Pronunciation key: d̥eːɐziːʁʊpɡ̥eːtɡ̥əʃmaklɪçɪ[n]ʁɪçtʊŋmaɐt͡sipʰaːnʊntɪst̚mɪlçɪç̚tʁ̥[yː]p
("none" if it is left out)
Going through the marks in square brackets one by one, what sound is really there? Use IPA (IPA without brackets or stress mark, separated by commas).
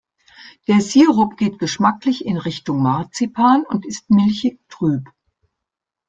n, yː